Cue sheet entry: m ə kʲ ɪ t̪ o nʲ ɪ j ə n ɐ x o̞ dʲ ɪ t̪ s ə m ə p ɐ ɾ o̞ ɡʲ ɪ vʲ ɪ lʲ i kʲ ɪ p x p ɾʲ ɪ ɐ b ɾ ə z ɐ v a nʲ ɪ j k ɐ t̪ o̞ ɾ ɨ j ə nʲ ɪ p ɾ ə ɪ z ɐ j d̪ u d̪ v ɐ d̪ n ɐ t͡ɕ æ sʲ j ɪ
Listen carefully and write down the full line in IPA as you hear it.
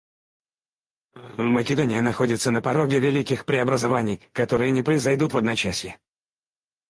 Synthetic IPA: m ə kʲ ɪ d̪ o nʲ ɪ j ə n ɐ x o̞ dʲ ɪ t̪ s ə n ə p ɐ ɾ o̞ ɡʲ ɪ vʲ ɪ lʲ i kʲ ɪ x p ɾʲ ɪ ɐ b ɾ ə z ɐ v a nʲ ɪ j k ɐ t̪ o̞ ɾ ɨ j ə nʲ ɪ p ɾ ə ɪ z ɐ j d̪ u t̪ v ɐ d̪ n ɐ t͡ɕ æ sʲ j ɪ